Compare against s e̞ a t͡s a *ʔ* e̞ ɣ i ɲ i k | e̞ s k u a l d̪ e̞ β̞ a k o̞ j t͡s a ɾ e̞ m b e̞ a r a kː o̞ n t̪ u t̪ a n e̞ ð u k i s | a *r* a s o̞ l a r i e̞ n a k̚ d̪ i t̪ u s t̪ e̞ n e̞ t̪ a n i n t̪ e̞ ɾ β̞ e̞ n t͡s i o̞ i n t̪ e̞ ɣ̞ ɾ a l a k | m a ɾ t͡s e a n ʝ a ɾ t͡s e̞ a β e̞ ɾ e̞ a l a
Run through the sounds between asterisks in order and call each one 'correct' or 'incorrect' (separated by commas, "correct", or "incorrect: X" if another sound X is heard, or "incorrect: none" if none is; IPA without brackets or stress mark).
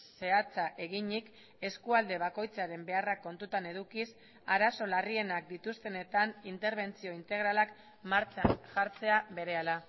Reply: correct, incorrect: ɾ